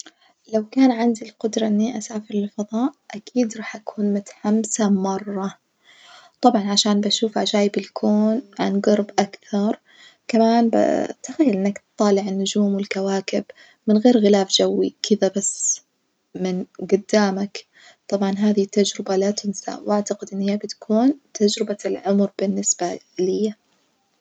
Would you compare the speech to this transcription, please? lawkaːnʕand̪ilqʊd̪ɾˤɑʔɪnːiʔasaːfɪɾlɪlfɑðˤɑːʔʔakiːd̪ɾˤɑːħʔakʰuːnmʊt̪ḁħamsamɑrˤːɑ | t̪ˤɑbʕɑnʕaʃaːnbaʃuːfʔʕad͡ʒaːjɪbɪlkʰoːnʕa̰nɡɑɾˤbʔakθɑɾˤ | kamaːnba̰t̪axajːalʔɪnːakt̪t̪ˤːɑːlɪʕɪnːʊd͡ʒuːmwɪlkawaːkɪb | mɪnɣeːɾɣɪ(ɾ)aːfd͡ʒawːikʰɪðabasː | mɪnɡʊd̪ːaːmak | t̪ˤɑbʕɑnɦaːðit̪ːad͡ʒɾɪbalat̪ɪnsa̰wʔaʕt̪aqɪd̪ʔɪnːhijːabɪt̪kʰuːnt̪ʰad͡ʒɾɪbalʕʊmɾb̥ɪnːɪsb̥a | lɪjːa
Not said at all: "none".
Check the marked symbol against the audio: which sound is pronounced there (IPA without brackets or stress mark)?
l